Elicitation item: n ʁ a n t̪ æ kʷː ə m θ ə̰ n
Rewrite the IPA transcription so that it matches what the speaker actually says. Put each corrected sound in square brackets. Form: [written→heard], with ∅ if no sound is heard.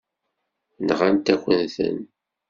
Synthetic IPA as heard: n ʁ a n t̪ æ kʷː ə [m→n] θ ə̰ n